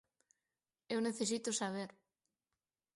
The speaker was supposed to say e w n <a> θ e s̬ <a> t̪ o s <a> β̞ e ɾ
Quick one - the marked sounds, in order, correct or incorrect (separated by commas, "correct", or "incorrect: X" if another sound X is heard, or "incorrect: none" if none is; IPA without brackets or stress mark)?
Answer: incorrect: e, incorrect: i, correct